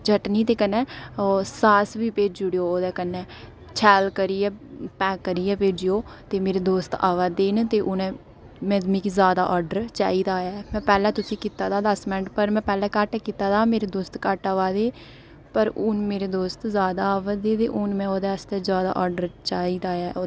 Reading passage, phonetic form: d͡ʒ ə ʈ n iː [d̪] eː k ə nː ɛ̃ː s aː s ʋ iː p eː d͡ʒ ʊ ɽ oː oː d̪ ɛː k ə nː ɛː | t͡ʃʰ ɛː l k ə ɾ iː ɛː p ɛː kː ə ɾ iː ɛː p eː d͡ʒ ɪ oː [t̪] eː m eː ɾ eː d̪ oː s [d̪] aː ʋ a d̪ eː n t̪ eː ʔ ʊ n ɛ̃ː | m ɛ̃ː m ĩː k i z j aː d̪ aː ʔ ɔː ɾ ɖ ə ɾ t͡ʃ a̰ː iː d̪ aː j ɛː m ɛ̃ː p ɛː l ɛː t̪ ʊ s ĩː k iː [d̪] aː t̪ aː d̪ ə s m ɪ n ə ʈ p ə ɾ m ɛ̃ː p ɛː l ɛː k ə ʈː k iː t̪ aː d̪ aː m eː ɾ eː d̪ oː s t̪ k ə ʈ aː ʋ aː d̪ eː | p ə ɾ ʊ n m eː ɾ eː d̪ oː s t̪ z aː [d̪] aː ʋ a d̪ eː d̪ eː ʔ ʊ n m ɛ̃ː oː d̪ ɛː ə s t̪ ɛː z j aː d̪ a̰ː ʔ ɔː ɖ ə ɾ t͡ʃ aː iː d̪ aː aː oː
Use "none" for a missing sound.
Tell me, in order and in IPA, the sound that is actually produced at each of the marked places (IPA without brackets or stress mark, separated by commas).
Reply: t̪, t̪, t̪, t̪, d̪